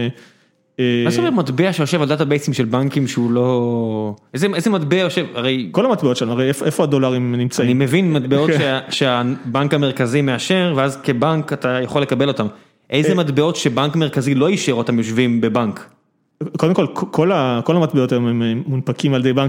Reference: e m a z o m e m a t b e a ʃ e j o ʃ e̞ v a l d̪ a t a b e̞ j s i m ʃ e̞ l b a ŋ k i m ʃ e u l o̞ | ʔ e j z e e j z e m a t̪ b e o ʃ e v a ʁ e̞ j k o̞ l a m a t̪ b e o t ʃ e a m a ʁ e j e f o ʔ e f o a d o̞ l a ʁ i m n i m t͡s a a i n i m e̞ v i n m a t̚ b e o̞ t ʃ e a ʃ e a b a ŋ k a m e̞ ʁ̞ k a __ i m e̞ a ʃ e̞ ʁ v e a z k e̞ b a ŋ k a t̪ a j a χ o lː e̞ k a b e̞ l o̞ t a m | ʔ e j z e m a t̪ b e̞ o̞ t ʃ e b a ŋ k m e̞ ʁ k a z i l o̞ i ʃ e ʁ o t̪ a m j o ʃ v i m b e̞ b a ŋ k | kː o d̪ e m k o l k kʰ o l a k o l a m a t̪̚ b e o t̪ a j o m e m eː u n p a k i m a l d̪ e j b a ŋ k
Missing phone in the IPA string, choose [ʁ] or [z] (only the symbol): z